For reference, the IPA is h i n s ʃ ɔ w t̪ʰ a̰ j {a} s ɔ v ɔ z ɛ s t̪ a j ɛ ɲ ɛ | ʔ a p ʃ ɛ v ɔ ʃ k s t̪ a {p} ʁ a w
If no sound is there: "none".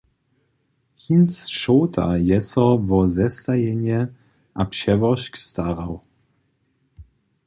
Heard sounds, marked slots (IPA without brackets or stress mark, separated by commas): ɛ, none